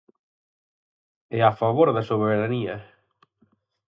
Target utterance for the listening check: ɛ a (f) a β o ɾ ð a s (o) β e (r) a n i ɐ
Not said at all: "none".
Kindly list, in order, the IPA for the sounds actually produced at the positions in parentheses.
f, o, ɾ

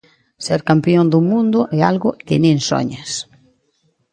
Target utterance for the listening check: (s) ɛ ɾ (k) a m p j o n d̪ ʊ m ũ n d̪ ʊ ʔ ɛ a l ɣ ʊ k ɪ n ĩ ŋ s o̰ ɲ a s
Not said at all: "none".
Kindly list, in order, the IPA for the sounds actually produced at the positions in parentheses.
s, k

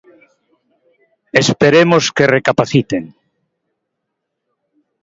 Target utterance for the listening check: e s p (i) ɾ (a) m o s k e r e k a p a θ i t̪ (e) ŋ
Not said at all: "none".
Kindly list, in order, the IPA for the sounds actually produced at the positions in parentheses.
e, e, e

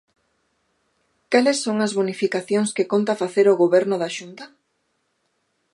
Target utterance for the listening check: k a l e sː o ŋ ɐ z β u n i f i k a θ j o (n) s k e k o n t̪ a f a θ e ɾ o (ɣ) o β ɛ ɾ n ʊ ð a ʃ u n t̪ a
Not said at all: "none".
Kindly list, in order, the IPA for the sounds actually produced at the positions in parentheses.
ŋ, ɣ

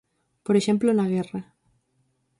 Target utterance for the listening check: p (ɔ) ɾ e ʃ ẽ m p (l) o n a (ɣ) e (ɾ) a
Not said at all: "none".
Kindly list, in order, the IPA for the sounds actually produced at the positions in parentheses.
o, l, ɣ, r

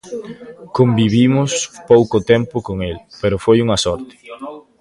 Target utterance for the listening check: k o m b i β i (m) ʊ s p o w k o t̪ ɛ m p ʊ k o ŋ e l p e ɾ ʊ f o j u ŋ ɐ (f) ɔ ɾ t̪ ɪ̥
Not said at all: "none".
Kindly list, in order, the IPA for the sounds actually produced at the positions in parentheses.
m, s

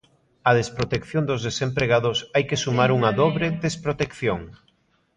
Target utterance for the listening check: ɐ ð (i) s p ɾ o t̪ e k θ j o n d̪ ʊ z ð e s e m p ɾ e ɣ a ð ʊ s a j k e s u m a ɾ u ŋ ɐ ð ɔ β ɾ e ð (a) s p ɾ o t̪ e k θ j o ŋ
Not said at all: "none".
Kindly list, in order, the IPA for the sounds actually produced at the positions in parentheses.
e, e

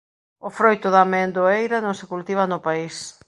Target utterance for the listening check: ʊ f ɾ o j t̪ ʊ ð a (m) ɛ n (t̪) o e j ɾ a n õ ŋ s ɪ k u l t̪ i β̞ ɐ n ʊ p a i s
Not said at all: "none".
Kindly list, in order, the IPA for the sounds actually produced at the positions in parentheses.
m, d̪

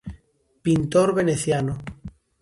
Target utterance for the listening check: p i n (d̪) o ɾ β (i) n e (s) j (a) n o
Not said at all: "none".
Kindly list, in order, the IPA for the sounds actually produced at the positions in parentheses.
t̪, e, θ, a

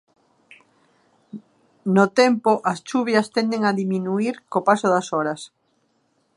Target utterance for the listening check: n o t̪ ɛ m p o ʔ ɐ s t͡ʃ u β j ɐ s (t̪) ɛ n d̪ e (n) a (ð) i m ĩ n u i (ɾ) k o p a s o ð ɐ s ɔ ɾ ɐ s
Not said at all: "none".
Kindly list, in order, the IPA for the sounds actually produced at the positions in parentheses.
t̪, ŋ, ð, ɾ

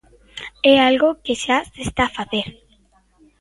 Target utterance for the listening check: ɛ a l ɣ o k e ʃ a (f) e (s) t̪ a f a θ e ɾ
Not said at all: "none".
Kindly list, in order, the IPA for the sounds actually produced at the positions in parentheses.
s, s

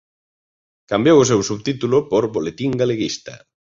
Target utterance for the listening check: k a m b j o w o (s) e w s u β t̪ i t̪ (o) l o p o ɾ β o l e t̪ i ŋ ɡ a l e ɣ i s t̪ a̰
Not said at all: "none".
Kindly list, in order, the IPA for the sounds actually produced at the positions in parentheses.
s, u

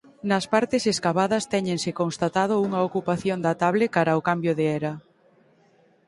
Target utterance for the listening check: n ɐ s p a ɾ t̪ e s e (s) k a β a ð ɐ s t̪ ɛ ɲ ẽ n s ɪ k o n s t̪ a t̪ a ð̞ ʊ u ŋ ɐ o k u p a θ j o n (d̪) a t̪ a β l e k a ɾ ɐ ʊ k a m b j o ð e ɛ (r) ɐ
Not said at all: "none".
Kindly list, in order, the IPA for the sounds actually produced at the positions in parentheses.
s, d̪, ɾ

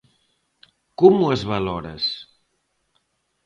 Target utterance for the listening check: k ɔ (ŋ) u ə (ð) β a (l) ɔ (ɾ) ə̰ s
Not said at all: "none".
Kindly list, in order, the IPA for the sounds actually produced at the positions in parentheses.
m, z, l, ɾ

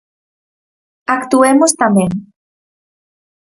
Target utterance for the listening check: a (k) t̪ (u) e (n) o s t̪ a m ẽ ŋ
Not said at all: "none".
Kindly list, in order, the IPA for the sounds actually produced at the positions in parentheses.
k, u, m

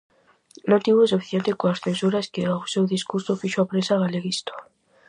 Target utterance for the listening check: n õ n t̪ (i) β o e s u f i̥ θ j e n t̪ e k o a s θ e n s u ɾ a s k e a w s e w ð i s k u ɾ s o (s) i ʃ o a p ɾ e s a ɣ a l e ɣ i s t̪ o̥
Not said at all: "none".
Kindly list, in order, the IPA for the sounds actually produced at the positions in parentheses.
i, f

